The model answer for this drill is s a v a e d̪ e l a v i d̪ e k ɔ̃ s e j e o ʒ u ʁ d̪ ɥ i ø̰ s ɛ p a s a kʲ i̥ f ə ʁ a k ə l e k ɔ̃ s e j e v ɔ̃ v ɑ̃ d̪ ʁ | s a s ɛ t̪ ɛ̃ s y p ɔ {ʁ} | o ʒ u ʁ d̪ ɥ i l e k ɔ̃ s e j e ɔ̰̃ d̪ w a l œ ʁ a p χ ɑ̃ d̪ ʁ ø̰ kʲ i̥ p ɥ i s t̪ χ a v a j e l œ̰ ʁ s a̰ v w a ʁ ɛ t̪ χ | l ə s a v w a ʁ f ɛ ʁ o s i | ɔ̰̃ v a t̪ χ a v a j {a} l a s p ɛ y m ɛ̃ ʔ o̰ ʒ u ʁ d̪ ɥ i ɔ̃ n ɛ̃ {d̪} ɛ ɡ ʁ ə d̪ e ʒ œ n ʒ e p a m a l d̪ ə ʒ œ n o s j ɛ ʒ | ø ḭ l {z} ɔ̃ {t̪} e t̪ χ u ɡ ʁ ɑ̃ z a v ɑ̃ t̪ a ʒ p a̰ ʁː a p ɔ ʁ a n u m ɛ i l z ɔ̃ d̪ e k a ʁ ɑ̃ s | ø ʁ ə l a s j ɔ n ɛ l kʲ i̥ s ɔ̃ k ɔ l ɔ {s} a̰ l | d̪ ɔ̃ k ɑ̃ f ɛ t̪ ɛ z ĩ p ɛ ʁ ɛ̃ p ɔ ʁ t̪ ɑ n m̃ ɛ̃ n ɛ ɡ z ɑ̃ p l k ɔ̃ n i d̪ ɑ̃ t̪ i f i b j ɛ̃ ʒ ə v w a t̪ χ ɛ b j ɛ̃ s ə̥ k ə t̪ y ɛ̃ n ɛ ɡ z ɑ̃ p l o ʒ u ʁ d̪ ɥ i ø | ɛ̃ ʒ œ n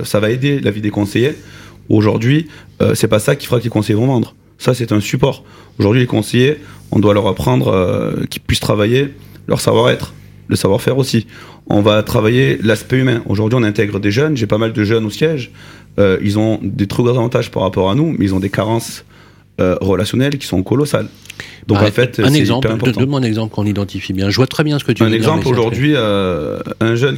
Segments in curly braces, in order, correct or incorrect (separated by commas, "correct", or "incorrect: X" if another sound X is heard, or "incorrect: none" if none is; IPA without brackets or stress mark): correct, incorrect: e, incorrect: t̪, correct, incorrect: d̪, correct